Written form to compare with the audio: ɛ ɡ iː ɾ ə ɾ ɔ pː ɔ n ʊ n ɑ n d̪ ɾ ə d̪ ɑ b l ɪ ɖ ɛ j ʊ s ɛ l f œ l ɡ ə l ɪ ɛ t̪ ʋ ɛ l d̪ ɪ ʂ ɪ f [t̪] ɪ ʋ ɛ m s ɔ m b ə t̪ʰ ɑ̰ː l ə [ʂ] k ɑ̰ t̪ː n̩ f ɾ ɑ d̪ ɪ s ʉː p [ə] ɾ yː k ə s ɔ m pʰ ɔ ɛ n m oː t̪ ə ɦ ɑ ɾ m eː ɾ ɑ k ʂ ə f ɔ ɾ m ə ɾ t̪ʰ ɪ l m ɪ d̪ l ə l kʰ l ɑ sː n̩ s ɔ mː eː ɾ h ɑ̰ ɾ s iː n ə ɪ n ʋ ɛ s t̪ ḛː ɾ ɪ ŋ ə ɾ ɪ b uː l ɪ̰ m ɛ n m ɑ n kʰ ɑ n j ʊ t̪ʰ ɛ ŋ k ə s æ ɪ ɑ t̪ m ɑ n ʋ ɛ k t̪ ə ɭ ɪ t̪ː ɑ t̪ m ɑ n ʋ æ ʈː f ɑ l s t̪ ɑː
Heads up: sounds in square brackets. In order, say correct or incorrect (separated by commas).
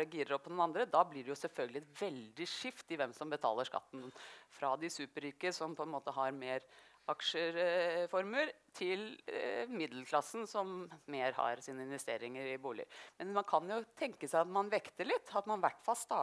correct, correct, correct